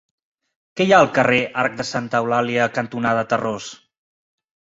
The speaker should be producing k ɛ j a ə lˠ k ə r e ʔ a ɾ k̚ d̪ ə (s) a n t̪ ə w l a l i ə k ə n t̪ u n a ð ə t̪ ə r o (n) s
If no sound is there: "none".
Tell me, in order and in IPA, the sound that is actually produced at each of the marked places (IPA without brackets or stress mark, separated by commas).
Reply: s, none